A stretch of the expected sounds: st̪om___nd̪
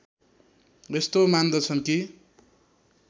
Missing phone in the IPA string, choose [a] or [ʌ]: a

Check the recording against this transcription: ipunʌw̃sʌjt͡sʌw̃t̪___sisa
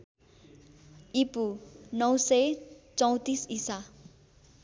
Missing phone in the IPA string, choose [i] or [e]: i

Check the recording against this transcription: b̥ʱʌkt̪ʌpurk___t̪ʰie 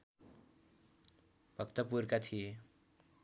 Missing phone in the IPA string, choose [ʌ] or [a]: a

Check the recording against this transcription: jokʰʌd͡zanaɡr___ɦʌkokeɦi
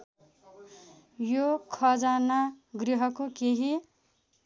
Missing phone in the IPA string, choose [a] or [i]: i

